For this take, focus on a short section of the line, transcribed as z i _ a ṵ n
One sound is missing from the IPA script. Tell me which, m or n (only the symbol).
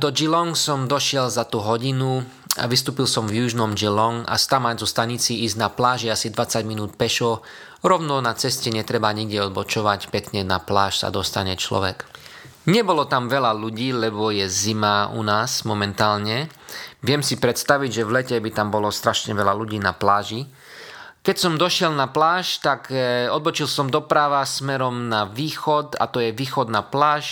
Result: m